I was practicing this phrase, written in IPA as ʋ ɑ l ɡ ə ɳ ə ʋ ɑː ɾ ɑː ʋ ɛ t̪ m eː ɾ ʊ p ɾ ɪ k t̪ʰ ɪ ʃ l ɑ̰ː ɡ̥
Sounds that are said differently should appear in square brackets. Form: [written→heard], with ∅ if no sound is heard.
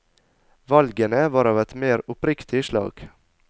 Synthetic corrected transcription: ʋ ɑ l ɡ ə [ɳ→n] ə ʋ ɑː ɾ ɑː ʋ ɛ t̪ m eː ɾ ʊ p ɾ ɪ k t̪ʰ ɪ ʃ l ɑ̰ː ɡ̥